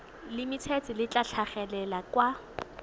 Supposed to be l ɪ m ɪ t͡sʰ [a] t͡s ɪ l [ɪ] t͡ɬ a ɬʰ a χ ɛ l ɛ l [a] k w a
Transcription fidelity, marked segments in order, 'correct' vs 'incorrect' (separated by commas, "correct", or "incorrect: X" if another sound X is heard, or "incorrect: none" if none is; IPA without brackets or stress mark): incorrect: ɛ, correct, correct